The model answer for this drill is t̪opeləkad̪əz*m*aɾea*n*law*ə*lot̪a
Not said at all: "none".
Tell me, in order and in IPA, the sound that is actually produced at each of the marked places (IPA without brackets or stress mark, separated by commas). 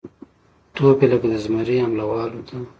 m, m, ɑ